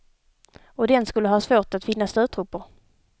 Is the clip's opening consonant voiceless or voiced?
voiced